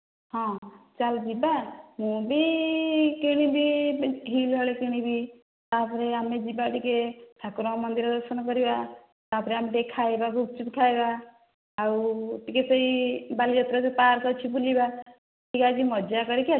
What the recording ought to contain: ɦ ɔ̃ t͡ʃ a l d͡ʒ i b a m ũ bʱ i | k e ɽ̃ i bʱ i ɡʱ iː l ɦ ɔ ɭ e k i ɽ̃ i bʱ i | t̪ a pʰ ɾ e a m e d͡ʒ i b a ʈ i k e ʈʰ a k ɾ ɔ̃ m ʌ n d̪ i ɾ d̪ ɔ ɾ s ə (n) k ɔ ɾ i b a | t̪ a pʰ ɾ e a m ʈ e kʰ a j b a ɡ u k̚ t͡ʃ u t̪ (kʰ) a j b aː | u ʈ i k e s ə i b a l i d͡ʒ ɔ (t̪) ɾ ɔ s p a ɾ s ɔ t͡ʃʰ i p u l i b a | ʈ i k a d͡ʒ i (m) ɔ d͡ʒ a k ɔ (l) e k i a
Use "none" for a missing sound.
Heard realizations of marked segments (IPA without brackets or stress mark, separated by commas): n, kʰ, t̪, m, ɾ